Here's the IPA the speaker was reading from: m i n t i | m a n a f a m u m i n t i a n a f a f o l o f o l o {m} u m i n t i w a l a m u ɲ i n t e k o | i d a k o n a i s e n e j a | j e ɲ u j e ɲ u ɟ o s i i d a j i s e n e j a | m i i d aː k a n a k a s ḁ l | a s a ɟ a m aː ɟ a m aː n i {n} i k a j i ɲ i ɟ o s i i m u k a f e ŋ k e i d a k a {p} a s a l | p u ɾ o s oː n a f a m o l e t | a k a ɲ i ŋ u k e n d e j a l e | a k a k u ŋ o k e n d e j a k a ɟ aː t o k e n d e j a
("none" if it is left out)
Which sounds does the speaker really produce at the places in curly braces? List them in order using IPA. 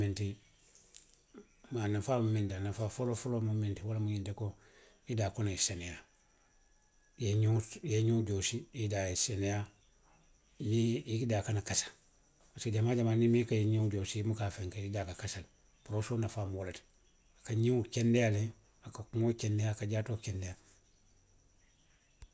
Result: m, m, k

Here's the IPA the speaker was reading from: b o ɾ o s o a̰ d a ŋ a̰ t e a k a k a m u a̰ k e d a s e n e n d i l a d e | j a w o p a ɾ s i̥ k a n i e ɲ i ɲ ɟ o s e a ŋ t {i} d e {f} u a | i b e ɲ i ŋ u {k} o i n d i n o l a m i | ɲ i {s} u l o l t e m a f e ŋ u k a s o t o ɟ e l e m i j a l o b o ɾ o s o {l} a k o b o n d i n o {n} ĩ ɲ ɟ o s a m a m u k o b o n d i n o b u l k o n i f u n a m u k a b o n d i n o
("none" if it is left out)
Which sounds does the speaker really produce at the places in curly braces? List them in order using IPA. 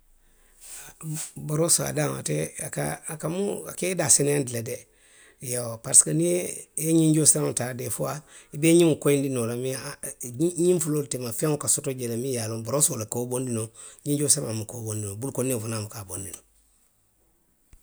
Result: a, f, k, f, l, ɲ

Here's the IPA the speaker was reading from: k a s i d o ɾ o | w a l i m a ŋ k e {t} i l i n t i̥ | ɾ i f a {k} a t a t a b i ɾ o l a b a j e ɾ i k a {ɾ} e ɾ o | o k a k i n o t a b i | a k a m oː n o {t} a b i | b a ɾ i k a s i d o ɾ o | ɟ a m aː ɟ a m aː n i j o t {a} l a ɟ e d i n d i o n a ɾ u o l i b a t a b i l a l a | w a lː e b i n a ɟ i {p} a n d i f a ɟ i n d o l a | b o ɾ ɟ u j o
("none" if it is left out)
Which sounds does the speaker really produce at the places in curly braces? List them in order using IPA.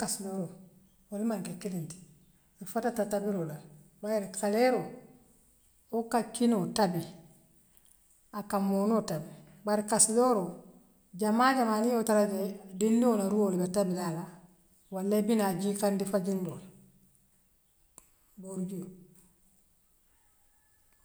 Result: k, t, l, t, a, k

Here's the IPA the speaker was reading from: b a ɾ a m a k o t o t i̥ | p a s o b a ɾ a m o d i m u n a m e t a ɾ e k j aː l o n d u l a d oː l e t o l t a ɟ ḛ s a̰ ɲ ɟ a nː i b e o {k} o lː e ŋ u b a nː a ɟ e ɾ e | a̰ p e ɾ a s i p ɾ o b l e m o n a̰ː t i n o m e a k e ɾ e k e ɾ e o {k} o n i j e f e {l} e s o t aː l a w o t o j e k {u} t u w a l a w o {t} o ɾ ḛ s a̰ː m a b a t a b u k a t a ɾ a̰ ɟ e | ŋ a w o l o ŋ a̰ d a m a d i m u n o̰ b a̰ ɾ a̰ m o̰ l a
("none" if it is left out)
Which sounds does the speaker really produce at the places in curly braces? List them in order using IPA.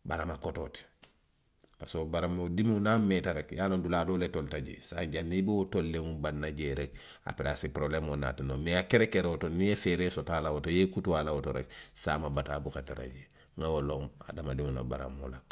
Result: t, t, ɾ, u, t

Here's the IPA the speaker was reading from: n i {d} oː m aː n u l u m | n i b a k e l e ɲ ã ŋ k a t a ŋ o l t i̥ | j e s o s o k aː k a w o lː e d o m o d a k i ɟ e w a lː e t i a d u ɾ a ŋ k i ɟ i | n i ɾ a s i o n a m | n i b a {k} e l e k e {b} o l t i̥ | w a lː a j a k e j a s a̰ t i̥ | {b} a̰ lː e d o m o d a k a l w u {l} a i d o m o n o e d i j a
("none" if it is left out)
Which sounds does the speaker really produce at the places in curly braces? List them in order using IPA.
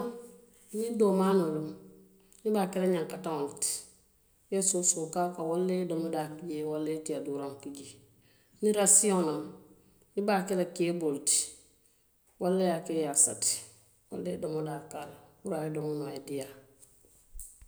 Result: d, k, b, w, ɾ

